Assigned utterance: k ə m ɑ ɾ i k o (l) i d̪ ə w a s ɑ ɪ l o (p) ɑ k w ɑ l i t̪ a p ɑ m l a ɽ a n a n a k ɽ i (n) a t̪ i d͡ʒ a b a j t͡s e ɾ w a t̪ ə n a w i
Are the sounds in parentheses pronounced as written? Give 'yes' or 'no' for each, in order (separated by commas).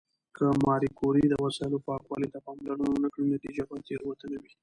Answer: no, yes, yes